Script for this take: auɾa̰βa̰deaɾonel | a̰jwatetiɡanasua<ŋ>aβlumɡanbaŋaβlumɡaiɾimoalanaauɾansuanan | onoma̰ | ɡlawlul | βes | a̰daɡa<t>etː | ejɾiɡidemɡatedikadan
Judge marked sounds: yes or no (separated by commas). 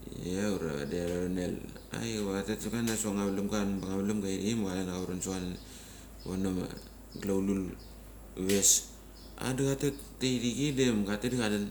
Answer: yes, yes